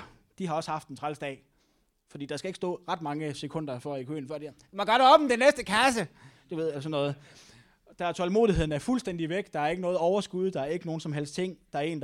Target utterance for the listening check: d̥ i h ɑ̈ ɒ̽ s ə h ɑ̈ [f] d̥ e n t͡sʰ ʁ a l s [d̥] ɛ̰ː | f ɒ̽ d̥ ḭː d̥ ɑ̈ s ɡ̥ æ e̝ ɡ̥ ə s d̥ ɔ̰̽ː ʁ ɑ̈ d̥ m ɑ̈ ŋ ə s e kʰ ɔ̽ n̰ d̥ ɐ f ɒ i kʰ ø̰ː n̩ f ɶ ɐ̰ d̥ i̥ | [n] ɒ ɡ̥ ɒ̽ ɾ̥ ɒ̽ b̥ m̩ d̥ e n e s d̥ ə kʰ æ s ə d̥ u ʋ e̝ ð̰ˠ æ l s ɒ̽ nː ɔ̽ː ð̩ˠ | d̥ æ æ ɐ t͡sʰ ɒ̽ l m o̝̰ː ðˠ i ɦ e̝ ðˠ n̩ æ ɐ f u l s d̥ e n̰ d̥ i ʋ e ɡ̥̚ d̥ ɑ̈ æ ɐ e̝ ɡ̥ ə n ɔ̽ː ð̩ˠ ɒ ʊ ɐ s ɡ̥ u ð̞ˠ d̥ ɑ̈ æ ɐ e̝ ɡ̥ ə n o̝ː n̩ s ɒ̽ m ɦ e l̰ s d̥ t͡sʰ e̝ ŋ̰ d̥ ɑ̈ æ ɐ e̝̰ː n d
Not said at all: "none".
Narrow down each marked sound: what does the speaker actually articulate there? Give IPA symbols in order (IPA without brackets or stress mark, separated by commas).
f, d̥, m